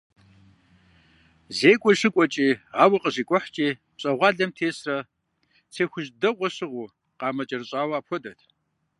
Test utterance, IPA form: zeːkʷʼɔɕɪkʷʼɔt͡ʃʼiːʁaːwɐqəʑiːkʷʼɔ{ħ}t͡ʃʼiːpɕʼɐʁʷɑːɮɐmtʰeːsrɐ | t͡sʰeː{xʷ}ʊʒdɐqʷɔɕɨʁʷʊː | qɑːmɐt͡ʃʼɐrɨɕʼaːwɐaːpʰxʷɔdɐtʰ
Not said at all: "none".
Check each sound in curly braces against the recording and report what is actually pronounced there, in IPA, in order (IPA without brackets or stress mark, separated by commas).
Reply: ħ, xʷ